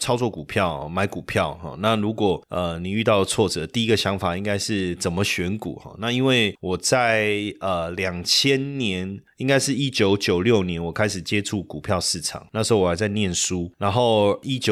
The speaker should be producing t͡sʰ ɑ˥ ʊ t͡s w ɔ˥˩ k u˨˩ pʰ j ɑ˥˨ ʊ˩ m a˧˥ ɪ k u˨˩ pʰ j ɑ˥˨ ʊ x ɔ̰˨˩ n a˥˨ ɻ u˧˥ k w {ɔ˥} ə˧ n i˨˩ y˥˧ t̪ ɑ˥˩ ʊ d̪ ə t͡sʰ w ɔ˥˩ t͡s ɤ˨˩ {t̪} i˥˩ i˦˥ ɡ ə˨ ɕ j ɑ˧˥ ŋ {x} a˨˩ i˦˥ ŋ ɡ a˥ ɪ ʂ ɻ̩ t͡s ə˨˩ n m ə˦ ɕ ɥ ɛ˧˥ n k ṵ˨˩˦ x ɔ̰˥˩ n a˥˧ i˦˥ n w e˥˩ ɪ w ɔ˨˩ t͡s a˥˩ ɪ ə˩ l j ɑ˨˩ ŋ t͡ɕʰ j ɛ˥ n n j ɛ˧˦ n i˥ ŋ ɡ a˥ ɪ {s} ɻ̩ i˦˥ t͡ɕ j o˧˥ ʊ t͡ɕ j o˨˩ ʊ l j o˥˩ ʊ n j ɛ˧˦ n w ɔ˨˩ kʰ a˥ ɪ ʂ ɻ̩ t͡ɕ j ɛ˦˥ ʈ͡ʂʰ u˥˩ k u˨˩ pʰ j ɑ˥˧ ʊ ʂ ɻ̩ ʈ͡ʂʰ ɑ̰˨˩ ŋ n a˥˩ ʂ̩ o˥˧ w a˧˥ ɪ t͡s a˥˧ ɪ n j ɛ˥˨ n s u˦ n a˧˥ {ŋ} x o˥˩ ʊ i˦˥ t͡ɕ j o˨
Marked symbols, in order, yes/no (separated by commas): no, yes, no, no, no